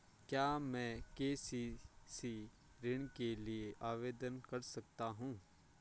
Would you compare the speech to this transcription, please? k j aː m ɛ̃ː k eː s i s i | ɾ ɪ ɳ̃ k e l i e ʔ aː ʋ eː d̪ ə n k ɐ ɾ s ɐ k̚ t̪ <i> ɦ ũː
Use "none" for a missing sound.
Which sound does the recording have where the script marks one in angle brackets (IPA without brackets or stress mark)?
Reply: a